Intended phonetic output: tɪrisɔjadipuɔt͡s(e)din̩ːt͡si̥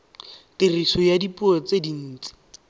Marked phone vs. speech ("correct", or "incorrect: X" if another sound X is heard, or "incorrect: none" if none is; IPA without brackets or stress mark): correct